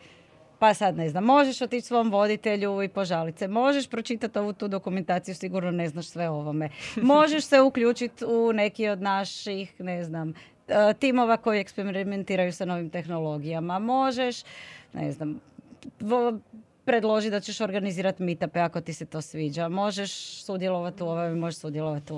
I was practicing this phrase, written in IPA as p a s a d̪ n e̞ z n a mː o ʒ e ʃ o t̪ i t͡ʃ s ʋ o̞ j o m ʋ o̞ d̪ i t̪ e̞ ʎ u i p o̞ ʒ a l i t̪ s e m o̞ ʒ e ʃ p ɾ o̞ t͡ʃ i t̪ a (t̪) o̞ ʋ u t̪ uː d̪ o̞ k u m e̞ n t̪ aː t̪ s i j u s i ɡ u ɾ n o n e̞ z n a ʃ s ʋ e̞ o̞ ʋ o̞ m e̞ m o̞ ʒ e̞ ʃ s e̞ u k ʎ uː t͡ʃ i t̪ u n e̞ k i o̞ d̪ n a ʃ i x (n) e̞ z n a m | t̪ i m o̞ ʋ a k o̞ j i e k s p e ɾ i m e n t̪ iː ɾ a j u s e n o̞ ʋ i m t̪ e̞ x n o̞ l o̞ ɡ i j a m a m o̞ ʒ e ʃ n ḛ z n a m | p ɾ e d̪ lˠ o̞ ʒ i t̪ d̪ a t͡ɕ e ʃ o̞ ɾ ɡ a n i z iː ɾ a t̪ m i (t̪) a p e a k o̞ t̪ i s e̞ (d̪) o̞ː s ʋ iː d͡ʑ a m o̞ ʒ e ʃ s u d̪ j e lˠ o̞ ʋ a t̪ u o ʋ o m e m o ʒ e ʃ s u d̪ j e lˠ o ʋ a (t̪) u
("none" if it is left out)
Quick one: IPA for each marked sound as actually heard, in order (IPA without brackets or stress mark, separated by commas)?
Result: t̪, n, t̪, t̪, t̪